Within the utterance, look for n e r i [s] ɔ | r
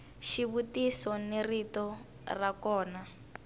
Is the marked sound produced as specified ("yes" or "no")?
no